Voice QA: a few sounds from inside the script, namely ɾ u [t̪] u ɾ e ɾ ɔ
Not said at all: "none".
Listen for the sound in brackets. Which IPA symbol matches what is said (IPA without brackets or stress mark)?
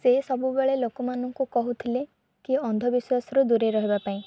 d̪